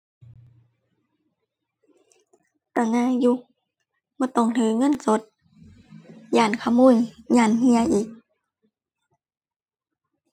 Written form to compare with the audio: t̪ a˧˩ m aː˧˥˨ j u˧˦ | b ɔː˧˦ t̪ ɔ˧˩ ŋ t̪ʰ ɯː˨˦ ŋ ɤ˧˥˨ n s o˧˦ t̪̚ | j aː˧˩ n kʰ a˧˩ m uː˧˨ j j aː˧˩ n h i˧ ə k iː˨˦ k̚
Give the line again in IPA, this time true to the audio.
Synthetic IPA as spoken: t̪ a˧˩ ŋ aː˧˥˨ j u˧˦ | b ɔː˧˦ t̪ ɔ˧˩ ŋ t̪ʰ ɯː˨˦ ŋ ɤ˧˥˨ n s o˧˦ t̪̚ | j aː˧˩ n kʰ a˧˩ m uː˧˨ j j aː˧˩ n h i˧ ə ʔ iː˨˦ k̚